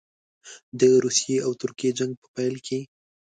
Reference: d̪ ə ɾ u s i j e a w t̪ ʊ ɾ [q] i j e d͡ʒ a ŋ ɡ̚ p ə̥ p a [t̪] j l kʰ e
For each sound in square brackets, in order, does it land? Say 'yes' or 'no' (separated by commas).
no, no